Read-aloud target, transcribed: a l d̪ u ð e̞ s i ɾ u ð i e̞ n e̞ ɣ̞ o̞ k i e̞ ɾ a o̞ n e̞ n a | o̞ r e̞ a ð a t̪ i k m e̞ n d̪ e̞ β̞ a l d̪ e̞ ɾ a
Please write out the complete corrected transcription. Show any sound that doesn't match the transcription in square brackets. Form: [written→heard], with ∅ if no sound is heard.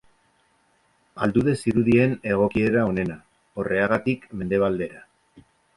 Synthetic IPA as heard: a l d̪ u ð e̞ s i ɾ u ð i e̞ n e̞ ɣ̞ o̞ k i e̞ ɾ a o̞ n e̞ n a | o̞ r e̞ a [ð→ɣ] a t̪ i k m e̞ n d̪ e̞ β̞ a l d̪ e̞ ɾ a